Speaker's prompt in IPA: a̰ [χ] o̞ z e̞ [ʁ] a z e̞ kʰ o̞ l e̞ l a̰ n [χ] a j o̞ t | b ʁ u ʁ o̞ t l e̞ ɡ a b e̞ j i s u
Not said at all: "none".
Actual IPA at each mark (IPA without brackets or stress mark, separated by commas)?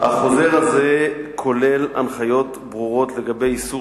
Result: χ, ʁ, χ